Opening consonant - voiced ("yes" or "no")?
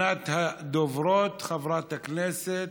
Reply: no